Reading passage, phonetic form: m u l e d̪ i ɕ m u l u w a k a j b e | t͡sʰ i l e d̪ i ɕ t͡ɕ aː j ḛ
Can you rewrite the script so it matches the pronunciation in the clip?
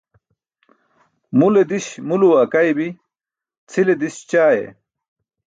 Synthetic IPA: m u l e d̪ i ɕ m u l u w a k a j b i | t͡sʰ i l e d̪ i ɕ t͡ɕ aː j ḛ